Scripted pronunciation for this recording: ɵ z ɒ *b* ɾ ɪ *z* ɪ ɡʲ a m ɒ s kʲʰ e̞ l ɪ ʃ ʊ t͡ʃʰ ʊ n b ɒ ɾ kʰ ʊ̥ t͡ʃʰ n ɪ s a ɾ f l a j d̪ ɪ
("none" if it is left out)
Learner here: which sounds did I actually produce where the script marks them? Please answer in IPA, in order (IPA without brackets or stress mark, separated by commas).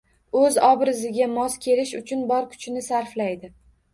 b, z